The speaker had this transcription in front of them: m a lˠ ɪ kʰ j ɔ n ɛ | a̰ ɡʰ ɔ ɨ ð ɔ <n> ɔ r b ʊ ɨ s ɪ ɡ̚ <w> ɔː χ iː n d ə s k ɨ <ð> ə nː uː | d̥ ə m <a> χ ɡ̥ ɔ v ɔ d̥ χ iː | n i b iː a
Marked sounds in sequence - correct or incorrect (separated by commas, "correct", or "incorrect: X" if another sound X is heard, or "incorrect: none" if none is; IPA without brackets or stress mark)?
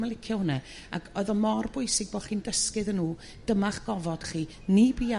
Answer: incorrect: m, incorrect: b, correct, correct